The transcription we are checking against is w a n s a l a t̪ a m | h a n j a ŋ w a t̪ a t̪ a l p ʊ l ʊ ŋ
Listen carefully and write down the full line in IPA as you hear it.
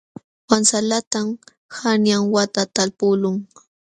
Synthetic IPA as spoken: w a n s a l a t̪ a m | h a n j a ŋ w a t̪ a t̪ a l p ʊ l ʊ ŋ